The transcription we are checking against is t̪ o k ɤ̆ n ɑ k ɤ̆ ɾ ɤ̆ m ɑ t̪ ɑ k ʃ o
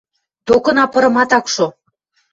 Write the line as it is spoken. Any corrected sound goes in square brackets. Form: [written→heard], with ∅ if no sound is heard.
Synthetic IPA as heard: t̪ o k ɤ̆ n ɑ [k→p] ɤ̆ ɾ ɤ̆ m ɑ t̪ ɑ k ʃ o